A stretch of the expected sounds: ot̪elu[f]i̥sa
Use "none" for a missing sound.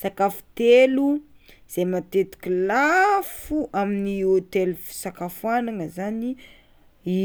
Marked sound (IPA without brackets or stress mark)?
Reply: f